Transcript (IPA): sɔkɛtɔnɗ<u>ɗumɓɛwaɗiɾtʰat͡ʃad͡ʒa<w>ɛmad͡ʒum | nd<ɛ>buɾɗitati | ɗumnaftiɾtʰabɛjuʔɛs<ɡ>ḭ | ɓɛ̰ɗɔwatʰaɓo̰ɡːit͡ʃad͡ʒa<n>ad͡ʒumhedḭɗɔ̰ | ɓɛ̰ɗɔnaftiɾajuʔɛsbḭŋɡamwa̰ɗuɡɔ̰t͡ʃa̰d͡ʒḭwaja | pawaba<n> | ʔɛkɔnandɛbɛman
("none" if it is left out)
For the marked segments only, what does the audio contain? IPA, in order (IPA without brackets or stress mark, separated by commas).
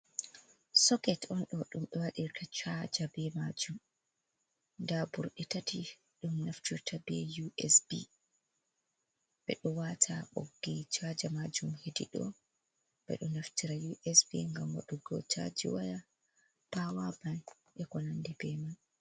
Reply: ɔ, b, a, b, m, n